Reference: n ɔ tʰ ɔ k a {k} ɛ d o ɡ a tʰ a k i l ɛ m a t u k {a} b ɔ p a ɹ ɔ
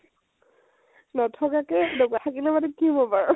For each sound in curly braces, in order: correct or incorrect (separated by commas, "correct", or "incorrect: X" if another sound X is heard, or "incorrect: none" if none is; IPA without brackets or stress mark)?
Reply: correct, incorrect: i